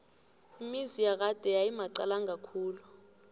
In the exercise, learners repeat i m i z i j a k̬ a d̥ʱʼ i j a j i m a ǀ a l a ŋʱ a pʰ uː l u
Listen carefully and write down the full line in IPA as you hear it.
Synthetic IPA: i m i z i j a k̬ a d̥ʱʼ ɛ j a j i m a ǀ a l a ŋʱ a kʰ uː l u